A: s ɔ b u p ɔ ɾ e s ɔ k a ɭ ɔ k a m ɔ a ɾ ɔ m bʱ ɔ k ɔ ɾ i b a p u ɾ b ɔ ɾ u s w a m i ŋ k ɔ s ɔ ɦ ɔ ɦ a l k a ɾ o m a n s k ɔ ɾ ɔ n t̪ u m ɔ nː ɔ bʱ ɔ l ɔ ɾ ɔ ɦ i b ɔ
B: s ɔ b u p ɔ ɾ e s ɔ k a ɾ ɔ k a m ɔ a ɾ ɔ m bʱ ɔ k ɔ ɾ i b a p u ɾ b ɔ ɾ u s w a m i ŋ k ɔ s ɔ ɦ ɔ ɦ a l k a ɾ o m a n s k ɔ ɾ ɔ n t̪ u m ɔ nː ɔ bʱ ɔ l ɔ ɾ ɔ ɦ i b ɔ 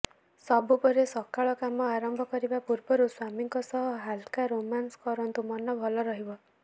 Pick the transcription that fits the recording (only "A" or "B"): A